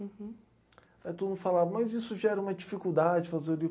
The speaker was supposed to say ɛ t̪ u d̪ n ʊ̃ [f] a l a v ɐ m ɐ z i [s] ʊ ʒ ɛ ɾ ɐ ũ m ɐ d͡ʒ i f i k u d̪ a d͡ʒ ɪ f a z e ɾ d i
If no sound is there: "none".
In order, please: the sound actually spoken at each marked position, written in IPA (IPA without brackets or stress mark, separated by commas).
f, s